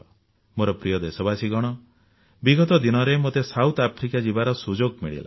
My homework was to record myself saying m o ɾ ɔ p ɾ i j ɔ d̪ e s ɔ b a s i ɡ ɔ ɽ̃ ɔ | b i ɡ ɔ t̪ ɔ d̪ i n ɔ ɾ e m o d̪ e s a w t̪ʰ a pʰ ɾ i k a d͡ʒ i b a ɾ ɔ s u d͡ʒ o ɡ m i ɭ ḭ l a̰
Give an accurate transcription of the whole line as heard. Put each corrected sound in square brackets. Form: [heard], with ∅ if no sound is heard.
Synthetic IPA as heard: m o ɾ ɔ p ɾ i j ɔ d̪ e s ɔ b a s i ɡ ɔ ɽ̃ ɔ | b i ɡ ɔ t̪ ɔ d̪ i n ɔ ɾ e m o [t̪] e s a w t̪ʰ a pʰ ɾ i k a d͡ʒ i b a ɾ ɔ s u d͡ʒ o ɡ m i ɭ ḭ l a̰